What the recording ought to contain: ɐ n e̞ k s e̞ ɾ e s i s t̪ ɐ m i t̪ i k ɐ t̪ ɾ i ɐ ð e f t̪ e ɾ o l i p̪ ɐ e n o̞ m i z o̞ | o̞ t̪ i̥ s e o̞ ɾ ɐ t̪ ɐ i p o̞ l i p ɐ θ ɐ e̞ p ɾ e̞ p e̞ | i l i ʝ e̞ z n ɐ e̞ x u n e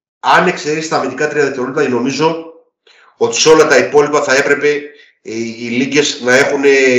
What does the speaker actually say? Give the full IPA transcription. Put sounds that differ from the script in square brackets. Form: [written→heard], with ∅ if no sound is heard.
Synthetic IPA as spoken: ɐ n e̞ k s e̞ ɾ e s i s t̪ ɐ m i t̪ i k ɐ t̪ ɾ i ɐ ð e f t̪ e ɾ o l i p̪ ɐ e n o̞ m i z o̞ | o̞ t̪ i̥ s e o̞ [ɾ→l] ɐ t̪ ɐ i p o̞ l i p ɐ θ ɐ e̞ p ɾ e̞ p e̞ | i l i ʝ e̞ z n ɐ e̞ x u n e